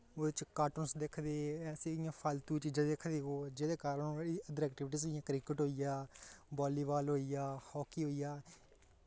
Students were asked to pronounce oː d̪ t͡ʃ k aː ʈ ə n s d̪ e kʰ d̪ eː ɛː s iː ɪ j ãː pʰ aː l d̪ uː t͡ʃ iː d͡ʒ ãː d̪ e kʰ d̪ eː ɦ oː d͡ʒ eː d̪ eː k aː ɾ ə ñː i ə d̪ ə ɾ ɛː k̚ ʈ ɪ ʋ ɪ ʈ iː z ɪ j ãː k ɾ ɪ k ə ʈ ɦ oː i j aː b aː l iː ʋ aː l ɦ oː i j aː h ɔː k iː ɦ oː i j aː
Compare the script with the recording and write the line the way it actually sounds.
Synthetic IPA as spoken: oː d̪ t͡ʃ k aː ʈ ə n s d̪ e kʰ d̪ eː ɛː s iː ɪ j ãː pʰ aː l t̪ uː t͡ʃ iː d͡ʒ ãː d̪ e kʰ d̪ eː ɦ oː d͡ʒ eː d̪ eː k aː ɾ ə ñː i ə d̪ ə ɾ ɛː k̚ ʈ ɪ ʋ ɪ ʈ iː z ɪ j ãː k ɾ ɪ k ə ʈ ɦ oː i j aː b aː l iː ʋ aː l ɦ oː i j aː h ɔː k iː ɦ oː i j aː